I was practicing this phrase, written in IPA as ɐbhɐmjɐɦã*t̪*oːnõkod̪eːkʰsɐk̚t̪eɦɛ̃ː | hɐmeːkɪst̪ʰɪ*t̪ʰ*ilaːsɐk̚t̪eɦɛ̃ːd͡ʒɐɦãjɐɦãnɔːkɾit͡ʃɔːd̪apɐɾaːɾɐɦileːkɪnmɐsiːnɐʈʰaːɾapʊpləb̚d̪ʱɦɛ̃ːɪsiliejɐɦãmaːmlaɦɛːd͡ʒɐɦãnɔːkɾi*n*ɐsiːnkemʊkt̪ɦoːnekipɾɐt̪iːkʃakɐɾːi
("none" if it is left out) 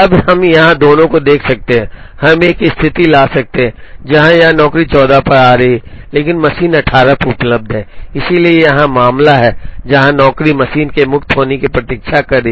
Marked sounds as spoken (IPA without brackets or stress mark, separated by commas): d̪, t̪, m